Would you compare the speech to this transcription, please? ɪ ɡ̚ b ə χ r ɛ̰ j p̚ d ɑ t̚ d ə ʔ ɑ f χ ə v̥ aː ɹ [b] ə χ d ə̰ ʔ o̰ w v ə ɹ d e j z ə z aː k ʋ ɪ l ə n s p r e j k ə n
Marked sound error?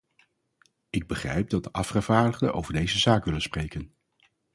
yes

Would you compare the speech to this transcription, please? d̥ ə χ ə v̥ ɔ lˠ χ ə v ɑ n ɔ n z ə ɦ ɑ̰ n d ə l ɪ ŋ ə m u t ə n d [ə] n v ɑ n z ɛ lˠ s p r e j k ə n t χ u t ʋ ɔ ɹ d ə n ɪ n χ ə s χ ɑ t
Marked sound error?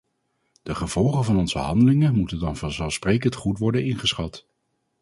yes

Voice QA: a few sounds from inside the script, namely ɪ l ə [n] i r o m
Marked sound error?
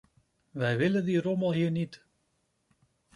yes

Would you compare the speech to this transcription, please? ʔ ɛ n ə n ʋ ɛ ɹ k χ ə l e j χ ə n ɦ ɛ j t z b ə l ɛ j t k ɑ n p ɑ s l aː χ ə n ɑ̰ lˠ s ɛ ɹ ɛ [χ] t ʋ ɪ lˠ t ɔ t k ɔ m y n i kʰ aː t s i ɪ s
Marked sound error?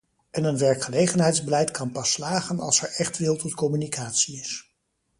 no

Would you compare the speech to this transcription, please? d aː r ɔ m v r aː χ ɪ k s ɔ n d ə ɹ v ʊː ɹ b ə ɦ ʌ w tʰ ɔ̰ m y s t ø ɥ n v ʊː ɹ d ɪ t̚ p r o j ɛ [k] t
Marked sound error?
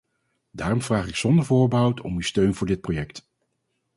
no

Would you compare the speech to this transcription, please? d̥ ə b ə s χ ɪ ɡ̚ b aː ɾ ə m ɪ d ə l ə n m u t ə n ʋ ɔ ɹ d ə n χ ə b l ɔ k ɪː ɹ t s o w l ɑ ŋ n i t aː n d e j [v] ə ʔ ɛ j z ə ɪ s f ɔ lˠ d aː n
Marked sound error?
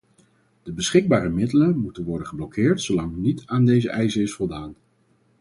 yes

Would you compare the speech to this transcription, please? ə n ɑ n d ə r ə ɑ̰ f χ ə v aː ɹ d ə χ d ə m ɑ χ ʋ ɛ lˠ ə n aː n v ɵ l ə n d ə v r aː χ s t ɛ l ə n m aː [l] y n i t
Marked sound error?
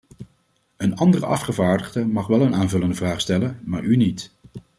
yes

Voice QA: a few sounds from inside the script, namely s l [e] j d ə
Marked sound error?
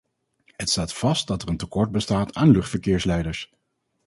yes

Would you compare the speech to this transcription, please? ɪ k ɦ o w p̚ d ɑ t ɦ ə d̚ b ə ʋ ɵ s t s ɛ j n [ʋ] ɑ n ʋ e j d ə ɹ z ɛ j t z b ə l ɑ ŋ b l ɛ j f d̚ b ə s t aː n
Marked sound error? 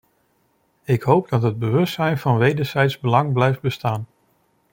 yes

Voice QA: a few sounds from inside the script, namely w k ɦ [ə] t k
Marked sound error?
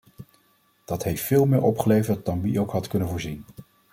yes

